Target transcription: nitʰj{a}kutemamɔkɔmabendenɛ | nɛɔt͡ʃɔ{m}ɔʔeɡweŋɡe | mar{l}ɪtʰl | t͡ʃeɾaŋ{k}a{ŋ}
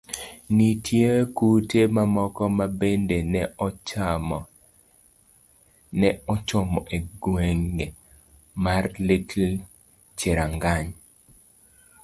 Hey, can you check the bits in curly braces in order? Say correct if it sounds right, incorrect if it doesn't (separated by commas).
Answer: incorrect, correct, correct, incorrect, incorrect